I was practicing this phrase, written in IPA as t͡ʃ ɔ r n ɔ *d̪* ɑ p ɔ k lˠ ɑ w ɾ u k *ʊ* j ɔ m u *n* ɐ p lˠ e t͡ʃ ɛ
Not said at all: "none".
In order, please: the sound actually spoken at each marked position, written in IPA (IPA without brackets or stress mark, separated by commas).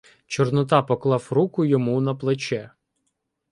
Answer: t̪, ʊ, n